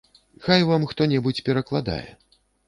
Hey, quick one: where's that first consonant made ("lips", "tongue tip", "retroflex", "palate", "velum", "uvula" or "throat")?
velum